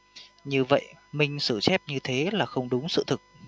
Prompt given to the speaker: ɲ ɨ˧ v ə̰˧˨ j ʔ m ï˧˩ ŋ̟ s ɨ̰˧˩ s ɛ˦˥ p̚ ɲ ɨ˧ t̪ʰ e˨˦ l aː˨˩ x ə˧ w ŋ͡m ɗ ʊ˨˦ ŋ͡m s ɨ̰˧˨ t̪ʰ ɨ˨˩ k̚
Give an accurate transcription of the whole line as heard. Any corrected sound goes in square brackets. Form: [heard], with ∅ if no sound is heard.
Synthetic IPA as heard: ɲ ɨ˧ v ə̰˧˨ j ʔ m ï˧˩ ŋ̟ s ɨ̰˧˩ s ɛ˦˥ p̚ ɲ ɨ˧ t̪ʰ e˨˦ l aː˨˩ x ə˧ w ŋ͡m ɗ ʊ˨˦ ŋ͡m s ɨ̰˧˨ t̪ʰ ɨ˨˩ k̚